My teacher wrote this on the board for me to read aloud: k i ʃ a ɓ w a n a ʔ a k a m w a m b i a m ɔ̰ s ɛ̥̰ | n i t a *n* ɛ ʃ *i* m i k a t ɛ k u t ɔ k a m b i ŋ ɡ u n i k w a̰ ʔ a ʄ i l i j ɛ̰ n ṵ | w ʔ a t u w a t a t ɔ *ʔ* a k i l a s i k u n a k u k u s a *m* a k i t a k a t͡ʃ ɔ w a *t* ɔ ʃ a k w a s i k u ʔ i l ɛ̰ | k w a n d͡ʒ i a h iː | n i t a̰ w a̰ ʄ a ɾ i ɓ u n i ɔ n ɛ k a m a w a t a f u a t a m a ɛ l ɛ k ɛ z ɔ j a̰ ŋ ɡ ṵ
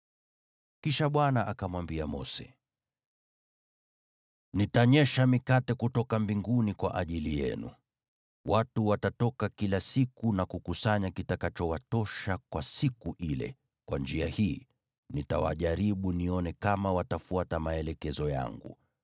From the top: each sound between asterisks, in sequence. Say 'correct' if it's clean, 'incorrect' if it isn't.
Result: incorrect, incorrect, incorrect, incorrect, correct

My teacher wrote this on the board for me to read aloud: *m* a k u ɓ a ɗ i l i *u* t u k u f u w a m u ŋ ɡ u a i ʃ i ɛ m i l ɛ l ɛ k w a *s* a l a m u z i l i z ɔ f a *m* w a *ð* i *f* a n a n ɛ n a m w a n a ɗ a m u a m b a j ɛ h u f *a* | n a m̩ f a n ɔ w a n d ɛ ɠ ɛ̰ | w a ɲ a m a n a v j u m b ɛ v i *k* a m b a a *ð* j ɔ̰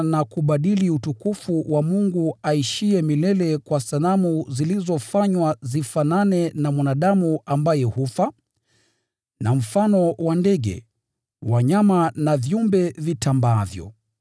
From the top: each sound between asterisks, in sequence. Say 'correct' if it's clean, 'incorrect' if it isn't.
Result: incorrect, correct, correct, incorrect, incorrect, correct, correct, incorrect, incorrect

